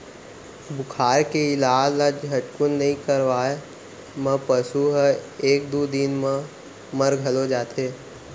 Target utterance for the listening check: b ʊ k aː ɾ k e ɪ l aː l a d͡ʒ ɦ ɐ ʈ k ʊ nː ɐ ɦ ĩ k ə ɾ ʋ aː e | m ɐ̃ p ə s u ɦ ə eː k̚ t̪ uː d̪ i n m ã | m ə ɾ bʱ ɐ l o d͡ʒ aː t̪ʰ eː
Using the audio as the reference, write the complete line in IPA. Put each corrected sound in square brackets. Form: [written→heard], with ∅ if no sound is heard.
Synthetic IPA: b ʊ [k→kʰ] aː ɾ k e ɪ l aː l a d͡ʒ ɦ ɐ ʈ k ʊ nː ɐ ɦ ĩ k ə ɾ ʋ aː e | m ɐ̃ p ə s u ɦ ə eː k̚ [t̪→d̪] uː d̪ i n m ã | m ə ɾ [bʱ→ɡʱ] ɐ l o d͡ʒ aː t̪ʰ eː